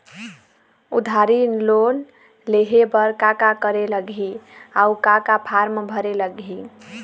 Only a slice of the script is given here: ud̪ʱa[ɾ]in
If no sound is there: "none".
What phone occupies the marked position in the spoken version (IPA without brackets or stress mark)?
ɾ